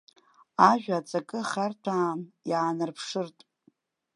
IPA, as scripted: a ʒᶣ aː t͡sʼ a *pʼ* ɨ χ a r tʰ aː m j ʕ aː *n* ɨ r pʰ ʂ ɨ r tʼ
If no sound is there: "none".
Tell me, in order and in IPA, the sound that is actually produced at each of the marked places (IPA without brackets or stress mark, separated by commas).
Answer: kʼ, n